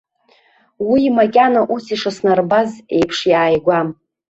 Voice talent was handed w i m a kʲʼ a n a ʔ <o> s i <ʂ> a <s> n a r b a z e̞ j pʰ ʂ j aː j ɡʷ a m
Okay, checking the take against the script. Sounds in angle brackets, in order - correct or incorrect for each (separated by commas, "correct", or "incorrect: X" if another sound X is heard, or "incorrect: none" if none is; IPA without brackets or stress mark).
incorrect: u, correct, correct